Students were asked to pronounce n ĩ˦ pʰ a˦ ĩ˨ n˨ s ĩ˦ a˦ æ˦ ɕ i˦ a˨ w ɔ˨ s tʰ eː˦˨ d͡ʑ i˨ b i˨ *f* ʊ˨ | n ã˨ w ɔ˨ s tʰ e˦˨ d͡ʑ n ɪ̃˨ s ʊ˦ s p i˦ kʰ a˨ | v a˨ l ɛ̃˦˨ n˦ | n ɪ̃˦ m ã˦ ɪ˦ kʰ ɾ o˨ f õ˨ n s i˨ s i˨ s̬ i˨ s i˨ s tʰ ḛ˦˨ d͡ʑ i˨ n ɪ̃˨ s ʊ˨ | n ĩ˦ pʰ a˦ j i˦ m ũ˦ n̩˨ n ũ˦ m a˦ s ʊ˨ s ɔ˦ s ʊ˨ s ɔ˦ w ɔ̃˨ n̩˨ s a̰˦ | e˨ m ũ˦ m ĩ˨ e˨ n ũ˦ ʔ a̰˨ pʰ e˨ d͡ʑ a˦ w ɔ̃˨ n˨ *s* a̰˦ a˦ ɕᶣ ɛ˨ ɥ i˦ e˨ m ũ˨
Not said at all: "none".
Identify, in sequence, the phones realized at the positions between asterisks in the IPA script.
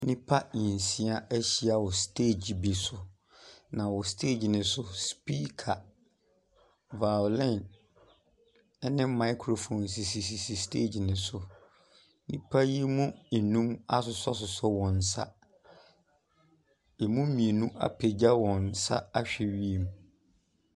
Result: s, s

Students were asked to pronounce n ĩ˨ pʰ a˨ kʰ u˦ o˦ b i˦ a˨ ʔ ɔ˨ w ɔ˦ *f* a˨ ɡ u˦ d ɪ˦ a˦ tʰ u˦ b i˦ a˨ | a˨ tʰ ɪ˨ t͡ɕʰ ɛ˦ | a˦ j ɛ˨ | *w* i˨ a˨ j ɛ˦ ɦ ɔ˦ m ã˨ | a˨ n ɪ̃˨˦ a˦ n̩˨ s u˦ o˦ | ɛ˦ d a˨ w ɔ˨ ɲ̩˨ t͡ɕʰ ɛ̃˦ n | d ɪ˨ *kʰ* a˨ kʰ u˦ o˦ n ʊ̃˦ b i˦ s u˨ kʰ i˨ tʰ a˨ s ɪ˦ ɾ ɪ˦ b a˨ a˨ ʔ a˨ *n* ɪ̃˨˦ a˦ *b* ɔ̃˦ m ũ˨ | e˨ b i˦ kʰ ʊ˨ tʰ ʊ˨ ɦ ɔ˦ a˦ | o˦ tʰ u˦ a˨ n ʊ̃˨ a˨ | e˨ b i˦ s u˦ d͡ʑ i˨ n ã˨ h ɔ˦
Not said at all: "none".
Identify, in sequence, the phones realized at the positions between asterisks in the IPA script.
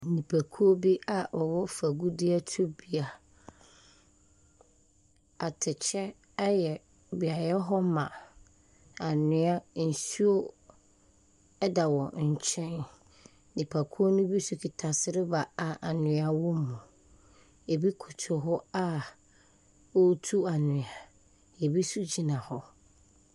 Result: f, b, pʰ, n, w

